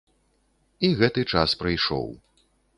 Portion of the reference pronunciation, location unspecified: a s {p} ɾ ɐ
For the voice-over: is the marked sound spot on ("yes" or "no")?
yes